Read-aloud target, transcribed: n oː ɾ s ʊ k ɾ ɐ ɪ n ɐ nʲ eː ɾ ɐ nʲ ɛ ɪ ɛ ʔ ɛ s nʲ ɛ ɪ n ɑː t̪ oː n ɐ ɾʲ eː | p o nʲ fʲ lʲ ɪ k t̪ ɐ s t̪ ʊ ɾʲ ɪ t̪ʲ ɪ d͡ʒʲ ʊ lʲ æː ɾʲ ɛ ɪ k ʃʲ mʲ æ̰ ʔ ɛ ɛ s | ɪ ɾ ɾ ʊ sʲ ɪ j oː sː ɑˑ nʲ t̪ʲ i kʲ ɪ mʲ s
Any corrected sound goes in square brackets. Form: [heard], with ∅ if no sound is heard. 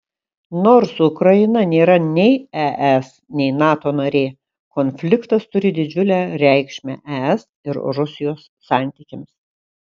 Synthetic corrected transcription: n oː ɾ s ʊ k ɾ ɐ ɪ n ɐ nʲ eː ɾ ɐ nʲ ɛ ɪ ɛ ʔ ɛ s nʲ ɛ ɪ n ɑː t̪ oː n ɐ ɾʲ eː | [k] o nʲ fʲ lʲ ɪ k t̪ ɐ s t̪ ʊ ɾʲ ɪ [d̪ʲ] ɪ d͡ʒʲ ʊ lʲ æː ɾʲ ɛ ɪ k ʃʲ mʲ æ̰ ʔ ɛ ɛ s | ɪ ɾ ɾ ʊ sʲ ɪ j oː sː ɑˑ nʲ t̪ʲ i kʲ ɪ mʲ s

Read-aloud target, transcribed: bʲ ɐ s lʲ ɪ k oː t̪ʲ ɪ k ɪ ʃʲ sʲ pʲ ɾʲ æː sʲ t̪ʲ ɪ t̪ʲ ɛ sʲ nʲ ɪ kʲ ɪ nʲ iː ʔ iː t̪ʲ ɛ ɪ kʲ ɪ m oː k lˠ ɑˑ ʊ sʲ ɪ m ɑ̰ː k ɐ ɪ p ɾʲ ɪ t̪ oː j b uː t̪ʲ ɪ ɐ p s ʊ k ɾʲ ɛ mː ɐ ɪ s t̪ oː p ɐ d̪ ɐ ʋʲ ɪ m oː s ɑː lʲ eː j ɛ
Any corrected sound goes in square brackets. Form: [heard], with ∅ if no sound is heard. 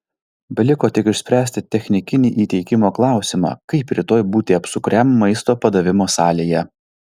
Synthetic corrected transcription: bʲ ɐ [∅] lʲ ɪ k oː t̪ʲ ɪ k ɪ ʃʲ sʲ pʲ ɾʲ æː sʲ t̪ʲ ɪ t̪ʲ ɛ [xʲ] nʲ ɪ kʲ ɪ nʲ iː ʔ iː t̪ʲ ɛ ɪ kʲ ɪ m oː k lˠ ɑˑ ʊ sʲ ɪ m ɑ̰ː k ɐ ɪ p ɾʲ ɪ t̪ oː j b uː t̪ʲ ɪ ɐ p s ʊ k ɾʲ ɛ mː ɐ ɪ s t̪ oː p ɐ d̪ ɐ ʋʲ ɪ m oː s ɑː lʲ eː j ɛ

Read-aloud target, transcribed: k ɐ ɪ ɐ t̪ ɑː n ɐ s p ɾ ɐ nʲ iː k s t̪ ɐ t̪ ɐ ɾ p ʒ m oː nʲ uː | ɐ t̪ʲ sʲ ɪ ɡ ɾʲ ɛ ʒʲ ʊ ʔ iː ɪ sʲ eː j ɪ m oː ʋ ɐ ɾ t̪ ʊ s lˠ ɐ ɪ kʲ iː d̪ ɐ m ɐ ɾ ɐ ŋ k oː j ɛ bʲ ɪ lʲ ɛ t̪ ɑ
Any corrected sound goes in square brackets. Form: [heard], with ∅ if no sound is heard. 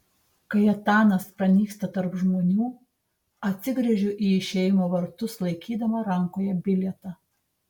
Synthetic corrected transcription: k ɐ ɪ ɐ t̪ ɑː n ɐ s p ɾ ɐ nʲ iː k s t̪ ɐ t̪ ɐ ɾ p ʒ m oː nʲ uː | ɐ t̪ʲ sʲ ɪ ɡ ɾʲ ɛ ʒʲ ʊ ʔ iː ɪ [ʃʲ] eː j ɪ m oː ʋ ɐ ɾ t̪ ʊ s lˠ ɐ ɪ kʲ iː d̪ ɐ m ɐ ɾ ɐ ŋ k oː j ɛ bʲ ɪ lʲ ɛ t̪ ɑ

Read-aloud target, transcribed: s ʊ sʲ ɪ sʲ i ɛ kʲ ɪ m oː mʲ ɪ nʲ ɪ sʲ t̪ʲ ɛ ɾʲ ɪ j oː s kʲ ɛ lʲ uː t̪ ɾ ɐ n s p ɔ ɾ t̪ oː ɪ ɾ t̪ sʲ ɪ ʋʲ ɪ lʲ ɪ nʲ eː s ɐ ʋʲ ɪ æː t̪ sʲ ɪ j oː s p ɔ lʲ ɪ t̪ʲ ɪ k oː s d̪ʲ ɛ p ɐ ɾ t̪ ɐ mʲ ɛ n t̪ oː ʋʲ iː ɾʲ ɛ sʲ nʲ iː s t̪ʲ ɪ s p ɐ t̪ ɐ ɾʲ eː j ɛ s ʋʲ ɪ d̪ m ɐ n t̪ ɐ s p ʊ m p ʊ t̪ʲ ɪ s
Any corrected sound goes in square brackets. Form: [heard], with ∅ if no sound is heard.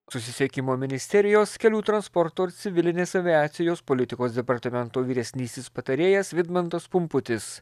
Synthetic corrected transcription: s ʊ sʲ ɪ sʲ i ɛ kʲ ɪ m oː mʲ ɪ nʲ ɪ sʲ t̪ʲ ɛ ɾʲ ɪ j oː s kʲ ɛ lʲ uː t̪ ɾ ɐ n s p ɔ ɾ t̪ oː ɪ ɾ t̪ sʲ ɪ ʋʲ ɪ lʲ ɪ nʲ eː s ɐ ʋʲ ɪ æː t̪ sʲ ɪ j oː s p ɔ lʲ ɪ t̪ʲ ɪ k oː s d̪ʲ ɛ p ɐ ɾ t̪ ɐ mʲ ɛ n t̪ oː ʋʲ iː ɾʲ ɛ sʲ nʲ iː s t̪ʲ ɪ s p ɐ t̪ ɐ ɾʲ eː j ɛ s ʋʲ ɪ d̪ m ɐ n t̪ ɐ s p ʊ m p ʊ t̪ʲ ɪ s

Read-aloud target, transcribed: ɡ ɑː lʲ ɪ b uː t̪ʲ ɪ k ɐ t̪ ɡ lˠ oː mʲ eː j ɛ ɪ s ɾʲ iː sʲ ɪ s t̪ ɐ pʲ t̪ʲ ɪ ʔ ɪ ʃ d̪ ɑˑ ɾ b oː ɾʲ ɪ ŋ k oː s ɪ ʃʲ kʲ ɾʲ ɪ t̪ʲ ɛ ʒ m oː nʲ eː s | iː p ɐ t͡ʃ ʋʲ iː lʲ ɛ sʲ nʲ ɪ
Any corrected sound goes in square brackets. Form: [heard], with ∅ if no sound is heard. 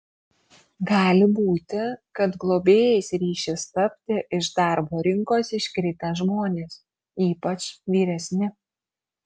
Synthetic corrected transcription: ɡ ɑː lʲ ɪ b uː t̪ʲ ɪ k ɐ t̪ ɡ lˠ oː [bʲ] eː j ɛ ɪ s ɾʲ iː [ʃʲ] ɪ s t̪ ɐ pʲ t̪ʲ ɪ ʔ ɪ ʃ d̪ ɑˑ ɾ b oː ɾʲ ɪ ŋ k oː s ɪ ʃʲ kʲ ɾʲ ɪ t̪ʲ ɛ ʒ m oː nʲ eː s | iː p ɐ t͡ʃ ʋʲ iː [ɾʲ] ɛ sʲ nʲ ɪ

